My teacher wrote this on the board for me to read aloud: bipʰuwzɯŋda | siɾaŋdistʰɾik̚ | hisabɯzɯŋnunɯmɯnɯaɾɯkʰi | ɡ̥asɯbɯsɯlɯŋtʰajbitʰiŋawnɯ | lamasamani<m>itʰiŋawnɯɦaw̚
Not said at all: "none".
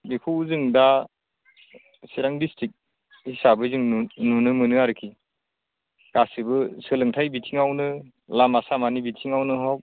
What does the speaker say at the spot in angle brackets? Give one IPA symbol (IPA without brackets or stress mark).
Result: b